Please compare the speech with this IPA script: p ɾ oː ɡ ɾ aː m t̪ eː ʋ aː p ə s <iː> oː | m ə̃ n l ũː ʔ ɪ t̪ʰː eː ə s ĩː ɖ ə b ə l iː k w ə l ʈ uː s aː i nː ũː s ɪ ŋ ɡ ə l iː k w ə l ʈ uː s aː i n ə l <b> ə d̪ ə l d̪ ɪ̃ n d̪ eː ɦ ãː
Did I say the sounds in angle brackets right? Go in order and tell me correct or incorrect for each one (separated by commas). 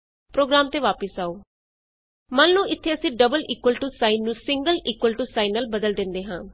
incorrect, correct